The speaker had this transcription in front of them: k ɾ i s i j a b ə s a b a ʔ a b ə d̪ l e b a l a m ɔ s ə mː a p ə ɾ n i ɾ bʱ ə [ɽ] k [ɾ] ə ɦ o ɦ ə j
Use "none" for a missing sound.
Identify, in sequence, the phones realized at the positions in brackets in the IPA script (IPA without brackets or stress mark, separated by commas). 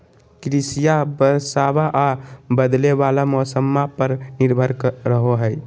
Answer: ɾ, ɾ